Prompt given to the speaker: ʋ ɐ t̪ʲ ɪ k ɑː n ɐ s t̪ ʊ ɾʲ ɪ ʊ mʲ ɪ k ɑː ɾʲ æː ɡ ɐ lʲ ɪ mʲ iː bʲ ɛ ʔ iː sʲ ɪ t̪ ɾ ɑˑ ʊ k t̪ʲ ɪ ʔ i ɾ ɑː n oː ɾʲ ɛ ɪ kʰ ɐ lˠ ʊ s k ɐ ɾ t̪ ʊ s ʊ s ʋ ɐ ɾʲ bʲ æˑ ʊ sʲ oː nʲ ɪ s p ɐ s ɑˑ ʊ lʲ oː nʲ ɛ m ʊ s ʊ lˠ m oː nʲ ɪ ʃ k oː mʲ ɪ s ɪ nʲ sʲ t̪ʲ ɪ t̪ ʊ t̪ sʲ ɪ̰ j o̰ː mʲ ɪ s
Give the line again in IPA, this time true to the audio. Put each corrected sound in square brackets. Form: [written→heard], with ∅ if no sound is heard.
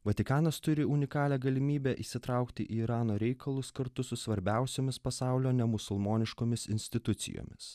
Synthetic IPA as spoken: ʋ ɐ t̪ʲ ɪ k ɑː n ɐ s t̪ ʊ ɾʲ ɪ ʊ [mʲ→nʲ] ɪ k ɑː [ɾʲ→lʲ] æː ɡ ɐ lʲ ɪ mʲ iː bʲ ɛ ʔ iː sʲ ɪ t̪ ɾ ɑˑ ʊ k t̪ʲ ɪ ʔ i ɾ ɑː n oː ɾʲ ɛ ɪ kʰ ɐ lˠ ʊ s k ɐ ɾ t̪ ʊ s ʊ s ʋ ɐ ɾʲ bʲ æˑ ʊ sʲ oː [nʲ→mʲ] ɪ s p ɐ s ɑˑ ʊ lʲ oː nʲ ɛ m ʊ s ʊ lˠ m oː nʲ ɪ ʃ k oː mʲ ɪ s ɪ nʲ sʲ t̪ʲ ɪ t̪ ʊ t̪ sʲ ɪ̰ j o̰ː mʲ ɪ s